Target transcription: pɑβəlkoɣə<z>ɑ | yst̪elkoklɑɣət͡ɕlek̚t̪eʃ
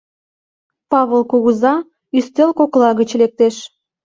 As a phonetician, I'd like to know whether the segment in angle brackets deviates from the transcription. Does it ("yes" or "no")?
no